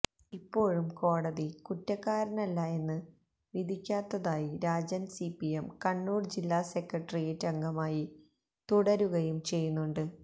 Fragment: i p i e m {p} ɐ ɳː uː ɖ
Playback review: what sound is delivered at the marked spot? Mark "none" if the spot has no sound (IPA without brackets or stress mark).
k